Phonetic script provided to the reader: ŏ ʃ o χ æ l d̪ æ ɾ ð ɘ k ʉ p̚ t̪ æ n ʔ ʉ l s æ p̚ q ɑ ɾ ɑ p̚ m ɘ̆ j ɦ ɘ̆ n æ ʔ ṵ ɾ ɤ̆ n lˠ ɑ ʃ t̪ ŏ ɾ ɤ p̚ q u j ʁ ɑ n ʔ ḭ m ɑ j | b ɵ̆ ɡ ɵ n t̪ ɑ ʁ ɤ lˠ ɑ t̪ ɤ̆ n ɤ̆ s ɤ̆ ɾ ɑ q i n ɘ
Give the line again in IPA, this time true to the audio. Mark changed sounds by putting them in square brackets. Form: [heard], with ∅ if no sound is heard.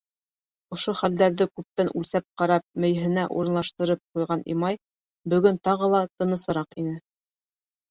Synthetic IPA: ŏ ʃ o χ æ l d̪ æ ɾ ð ɘ k ʉ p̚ t̪ æ n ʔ ʉ l s æ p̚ q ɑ ɾ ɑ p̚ m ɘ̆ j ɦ ɘ̆ n æ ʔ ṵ ɾ ɤ̆ n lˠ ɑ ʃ t̪ [ɤ̆] ɾ ɤ p̚ q u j ʁ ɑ n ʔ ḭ m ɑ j | b ɵ̆ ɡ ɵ n t̪ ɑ ʁ ɤ lˠ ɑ t̪ ɤ̆ n ɤ̆ s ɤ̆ ɾ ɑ q i n ɘ